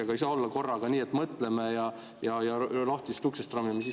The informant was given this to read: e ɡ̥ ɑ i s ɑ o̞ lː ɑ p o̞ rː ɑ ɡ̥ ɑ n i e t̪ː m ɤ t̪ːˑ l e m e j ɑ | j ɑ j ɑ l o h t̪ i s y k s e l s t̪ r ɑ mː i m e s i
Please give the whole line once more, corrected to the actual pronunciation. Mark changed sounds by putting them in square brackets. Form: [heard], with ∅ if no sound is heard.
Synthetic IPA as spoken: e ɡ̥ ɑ i s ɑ o̞ lː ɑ [k] o̞ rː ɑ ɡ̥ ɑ n [iː] e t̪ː m ɤ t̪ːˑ l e m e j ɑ | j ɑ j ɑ l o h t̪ i s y k s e [∅] s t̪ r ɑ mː i m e s i

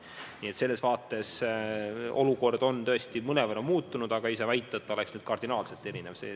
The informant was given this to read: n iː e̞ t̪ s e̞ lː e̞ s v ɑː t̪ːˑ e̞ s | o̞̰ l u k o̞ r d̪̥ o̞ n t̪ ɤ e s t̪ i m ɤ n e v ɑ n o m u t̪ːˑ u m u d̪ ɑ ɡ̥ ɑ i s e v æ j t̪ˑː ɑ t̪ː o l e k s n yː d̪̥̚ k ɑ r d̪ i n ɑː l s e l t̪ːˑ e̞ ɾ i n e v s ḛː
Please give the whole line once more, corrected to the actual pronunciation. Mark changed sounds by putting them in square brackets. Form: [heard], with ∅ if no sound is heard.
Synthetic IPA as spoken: n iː e̞ t̪ s e̞ lː e̞ s v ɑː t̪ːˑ e̞ s | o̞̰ l u k o̞ r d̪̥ o̞ n t̪ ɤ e s t̪ i m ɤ n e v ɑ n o m [uː] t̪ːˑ u [n] u d̪ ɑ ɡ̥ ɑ i s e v æ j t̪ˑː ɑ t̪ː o l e k s n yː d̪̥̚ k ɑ r d̪ i n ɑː l s e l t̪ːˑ e̞ ɾ i n e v s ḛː

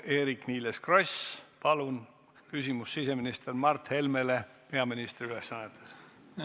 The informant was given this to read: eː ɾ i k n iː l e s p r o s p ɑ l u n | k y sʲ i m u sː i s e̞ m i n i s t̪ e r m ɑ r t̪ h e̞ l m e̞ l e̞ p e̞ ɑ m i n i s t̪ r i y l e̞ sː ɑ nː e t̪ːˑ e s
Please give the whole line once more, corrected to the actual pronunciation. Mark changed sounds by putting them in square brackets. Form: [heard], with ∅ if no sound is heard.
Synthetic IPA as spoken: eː ɾ i k n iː l e s [k] r o s p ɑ l u n | k y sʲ i m u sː i s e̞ m i n i s t̪ e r m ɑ r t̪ h e̞ l m e̞ l e̞ p e̞ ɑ m i n i s t̪ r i y l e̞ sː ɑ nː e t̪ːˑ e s

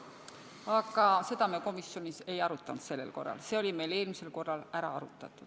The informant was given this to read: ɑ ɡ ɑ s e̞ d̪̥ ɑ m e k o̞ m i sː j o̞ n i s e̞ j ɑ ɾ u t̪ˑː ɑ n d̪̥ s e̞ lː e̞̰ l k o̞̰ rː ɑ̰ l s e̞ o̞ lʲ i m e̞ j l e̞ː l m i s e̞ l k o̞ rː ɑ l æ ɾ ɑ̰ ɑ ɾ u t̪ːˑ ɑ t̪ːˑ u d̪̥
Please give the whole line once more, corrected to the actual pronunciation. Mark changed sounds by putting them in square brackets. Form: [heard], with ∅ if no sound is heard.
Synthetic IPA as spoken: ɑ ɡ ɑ s e̞ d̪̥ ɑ m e k o̞ m i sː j o̞ n i s e̞ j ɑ ɾ u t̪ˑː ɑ n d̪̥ s e̞ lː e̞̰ l k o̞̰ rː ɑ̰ l s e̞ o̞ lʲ i m e̞ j l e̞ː l m i s e̞ l k o̞ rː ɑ l æ ɾ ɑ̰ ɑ ɾ u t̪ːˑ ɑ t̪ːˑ u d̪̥

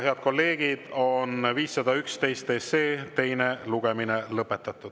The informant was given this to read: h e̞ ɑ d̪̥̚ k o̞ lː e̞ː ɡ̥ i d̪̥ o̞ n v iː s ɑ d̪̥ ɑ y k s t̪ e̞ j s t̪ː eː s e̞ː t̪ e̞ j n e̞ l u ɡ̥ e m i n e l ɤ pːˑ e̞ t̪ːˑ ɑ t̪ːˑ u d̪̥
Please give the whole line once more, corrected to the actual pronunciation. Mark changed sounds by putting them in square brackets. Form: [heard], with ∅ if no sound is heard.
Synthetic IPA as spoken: h e̞ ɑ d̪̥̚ k o̞ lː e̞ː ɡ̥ i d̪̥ o̞ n v iː [sː] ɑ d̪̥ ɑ y k s t̪ e̞ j s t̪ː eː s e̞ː t̪ e̞ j n e̞ l u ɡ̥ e m i n e l ɤ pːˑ e̞ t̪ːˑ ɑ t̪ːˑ u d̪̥

